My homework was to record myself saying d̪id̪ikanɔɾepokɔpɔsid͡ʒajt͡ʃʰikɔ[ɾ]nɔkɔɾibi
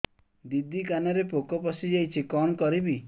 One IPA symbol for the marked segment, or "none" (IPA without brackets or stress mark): none